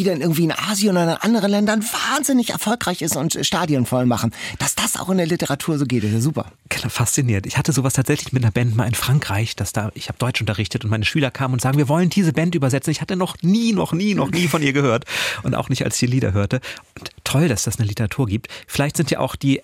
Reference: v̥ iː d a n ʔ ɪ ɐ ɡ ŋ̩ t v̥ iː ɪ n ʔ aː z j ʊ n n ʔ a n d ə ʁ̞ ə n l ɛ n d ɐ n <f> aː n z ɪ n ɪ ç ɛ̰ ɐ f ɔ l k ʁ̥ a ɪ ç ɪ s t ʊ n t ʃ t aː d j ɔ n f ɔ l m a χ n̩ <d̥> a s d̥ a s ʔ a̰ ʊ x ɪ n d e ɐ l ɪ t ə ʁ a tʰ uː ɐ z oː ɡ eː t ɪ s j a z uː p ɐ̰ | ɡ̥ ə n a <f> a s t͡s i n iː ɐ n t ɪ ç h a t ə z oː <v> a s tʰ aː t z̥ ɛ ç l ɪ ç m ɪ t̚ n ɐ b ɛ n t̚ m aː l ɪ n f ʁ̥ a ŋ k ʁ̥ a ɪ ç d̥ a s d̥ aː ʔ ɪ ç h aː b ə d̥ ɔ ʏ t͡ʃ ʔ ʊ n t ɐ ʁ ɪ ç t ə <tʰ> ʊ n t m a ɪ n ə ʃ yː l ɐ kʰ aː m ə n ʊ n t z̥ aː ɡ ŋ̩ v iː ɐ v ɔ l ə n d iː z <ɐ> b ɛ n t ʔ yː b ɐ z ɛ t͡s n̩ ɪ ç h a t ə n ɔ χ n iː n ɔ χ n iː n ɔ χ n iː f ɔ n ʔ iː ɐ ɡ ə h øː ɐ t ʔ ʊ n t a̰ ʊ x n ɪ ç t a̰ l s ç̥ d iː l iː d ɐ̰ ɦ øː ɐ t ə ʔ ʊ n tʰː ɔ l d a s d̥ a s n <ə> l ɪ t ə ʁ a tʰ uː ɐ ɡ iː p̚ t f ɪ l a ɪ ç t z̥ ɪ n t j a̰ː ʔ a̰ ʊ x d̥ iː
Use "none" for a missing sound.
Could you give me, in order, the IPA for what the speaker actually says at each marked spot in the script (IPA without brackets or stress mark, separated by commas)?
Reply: v, d̥, f, v, t, ə, ə